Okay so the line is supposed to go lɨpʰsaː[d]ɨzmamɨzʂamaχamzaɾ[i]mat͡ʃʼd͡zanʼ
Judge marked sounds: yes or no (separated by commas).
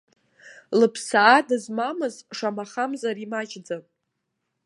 yes, yes